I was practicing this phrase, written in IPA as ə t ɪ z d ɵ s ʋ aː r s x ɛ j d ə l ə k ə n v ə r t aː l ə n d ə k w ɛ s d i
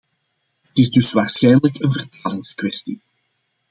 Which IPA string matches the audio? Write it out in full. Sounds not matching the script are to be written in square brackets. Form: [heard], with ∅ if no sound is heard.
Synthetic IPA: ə t ɪ z d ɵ s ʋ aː r s x ɛ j [n] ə l ə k ə n v ə r t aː l ə n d ə k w ɛ s [t] i

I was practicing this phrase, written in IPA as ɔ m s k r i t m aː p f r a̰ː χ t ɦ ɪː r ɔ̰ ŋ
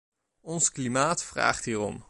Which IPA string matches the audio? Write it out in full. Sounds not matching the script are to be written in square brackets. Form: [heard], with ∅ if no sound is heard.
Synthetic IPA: ɔ [n] s k [l] i [∅] m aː [t] f r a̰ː χ t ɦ [iː] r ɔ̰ [m]

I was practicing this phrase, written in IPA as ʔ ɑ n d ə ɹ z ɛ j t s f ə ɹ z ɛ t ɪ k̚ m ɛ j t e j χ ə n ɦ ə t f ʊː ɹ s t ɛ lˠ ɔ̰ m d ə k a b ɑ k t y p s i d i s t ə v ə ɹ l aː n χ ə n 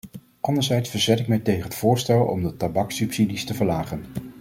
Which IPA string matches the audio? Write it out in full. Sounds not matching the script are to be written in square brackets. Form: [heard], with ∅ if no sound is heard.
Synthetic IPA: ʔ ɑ n d ə ɹ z ɛ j t s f ə ɹ z ɛ t ɪ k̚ m ɛ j t e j χ ə n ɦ ə t f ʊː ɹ s t ɛ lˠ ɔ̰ m d ə [t] a b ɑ k [s] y p s i d i s t ə v ə ɹ l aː [∅] χ ə n

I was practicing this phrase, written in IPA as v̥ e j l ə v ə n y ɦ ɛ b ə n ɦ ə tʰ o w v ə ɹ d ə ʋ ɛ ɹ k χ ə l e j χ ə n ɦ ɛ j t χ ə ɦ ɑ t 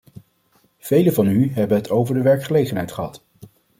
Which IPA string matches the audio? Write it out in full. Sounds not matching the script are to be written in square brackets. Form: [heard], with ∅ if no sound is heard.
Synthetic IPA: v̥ e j l ə v [ɑ] n y ɦ ɛ b ə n ɦ ə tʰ o w v ə ɹ d ə ʋ ɛ ɹ k χ ə l e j χ ə n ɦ ɛ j t χ ə ɦ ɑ t

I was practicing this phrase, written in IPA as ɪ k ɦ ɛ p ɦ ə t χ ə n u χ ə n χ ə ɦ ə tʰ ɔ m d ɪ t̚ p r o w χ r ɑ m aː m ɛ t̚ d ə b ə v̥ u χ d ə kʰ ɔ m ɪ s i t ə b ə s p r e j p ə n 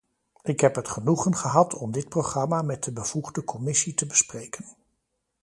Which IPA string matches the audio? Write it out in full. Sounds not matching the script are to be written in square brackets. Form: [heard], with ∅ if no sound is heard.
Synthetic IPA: ɪ k ɦ ɛ p ɦ ə t χ ə n u χ ə n χ ə ɦ [ɑ] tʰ ɔ m d ɪ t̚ p r o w χ r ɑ m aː m ɛ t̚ d ə b ə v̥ u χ d ə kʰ ɔ m ɪ s i t ə b ə s p r e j [k] ə n

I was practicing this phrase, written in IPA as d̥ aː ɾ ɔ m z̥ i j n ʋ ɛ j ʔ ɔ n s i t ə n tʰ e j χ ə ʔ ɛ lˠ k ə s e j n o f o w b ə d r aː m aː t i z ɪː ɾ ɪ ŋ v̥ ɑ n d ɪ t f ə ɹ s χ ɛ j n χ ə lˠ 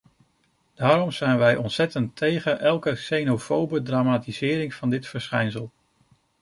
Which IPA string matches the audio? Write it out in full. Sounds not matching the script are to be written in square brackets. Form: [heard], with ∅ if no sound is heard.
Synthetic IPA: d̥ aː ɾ ɔ m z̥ [ɛ] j n ʋ ɛ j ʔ ɔ n s [ɛ] t ə n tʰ e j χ ə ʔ ɛ lˠ k ə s e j n o f o w b ə d r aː m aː t i z ɪː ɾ ɪ ŋ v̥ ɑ n d ɪ t f ə ɹ s χ ɛ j n [s] ə lˠ

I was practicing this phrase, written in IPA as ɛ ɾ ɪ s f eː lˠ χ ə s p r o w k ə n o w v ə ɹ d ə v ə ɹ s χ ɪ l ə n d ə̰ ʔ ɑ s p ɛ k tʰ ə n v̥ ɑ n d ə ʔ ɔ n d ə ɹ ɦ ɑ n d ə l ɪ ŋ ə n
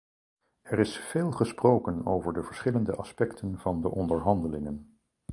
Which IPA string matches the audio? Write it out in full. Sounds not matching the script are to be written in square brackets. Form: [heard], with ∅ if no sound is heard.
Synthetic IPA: ɛ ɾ ɪ s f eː lˠ χ ə s p r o w k ə n o w v ə ɹ d ə v ə ɹ s χ ɪ l ə n d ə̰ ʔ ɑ s p ɛ k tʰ ə n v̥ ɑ n d ə ʔ ɔ n d ə ɹ ɦ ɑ n d ə l ɪ ŋ ə n

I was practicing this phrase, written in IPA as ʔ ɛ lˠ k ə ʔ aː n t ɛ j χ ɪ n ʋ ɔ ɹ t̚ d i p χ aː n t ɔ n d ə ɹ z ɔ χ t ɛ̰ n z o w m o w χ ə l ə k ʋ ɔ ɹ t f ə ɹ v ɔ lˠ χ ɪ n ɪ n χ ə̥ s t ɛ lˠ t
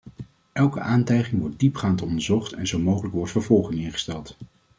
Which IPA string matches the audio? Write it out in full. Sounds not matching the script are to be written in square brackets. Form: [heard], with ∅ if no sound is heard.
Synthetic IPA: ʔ ɛ lˠ k ə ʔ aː n t ɛ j χ ɪ [ŋ] ʋ ɔ ɹ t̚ d i p χ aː n t ɔ n d ə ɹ z ɔ χ t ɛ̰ n z o w m o w χ ə l ə k ʋ ɔ ɹ t f ə ɹ v ɔ lˠ χ ɪ [ŋ] ɪ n χ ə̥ s t ɛ lˠ t

